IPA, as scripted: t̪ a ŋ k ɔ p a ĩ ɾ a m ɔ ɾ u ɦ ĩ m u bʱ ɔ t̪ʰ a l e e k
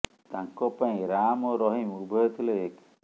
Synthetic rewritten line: t̪ a ŋ k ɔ p a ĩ ɾ a m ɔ ɾ ɔ ɦ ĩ m u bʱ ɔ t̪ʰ i l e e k